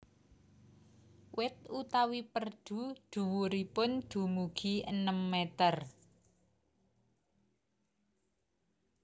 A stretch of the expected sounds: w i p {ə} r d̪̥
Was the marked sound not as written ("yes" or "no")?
no